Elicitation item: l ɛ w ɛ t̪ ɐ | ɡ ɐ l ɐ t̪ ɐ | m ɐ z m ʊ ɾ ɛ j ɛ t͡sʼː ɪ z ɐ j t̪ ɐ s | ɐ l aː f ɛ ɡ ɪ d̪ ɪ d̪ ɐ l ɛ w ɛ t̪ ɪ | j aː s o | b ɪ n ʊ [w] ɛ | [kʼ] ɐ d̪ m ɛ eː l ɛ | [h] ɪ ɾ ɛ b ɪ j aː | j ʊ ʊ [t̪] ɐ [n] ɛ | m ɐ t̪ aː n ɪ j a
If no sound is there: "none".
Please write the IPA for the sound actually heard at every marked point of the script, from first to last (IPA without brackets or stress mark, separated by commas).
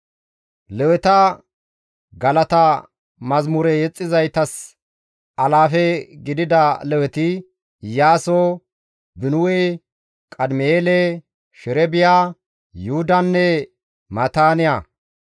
w, kʼ, ʃ, d̪, nː